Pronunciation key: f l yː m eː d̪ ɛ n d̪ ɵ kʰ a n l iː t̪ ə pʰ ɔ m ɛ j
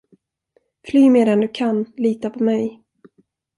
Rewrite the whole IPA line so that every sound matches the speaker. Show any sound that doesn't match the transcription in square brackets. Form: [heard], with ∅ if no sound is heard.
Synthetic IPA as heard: f l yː m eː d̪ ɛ n d̪ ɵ kʰ a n l iː t̪ [a] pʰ ɔ m ɛ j